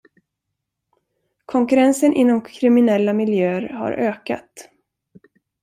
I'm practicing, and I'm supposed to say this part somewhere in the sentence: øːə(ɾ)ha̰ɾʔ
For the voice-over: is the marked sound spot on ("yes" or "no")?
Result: yes